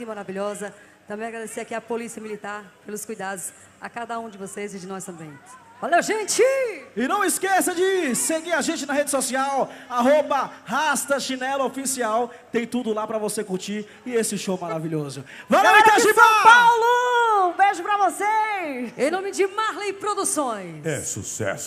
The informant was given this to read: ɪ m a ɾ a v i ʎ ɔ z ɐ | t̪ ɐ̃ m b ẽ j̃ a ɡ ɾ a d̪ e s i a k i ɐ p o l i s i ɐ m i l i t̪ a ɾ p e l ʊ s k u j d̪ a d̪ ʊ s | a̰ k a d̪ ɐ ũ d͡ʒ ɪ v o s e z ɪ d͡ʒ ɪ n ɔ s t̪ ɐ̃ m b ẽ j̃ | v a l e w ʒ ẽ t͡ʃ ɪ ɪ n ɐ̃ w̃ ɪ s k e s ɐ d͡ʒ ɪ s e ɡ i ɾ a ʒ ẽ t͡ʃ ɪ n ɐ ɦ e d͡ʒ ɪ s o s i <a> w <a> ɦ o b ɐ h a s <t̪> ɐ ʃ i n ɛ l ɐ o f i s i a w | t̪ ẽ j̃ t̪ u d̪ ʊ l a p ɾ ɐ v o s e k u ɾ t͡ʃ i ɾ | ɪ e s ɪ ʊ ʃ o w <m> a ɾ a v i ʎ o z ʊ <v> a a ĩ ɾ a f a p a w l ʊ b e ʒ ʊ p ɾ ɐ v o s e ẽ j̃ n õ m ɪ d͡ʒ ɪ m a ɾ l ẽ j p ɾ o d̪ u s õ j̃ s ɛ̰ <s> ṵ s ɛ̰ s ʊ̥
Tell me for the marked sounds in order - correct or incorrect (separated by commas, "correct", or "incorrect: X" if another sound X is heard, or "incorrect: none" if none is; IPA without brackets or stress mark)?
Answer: correct, correct, correct, correct, correct, correct